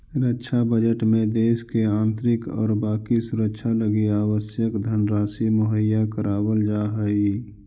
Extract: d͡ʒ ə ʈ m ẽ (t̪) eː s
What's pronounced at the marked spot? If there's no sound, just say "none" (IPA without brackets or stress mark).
d̪